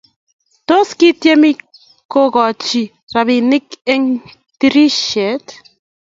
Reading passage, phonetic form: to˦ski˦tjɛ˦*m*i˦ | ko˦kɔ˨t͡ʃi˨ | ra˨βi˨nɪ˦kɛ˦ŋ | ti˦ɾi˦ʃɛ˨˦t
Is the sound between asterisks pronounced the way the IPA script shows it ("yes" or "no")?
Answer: yes